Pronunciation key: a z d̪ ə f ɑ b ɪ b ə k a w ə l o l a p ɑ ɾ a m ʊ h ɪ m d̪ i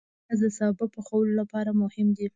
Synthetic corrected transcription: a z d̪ ə s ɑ b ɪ p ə x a w ə l o l a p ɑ ɾ a m ʊ h ɪ m d̪ i